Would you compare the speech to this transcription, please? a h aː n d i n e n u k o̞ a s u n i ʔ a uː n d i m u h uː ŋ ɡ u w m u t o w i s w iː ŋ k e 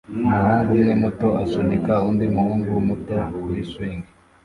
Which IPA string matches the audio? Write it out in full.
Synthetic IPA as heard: a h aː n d i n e m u t o̞ a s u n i k a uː n d i m u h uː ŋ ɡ u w m u t o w i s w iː ŋ ɡ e